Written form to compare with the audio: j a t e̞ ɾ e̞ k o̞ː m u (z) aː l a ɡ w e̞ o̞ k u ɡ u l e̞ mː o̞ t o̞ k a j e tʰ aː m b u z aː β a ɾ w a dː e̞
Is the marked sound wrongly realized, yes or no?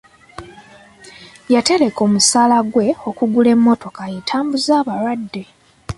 yes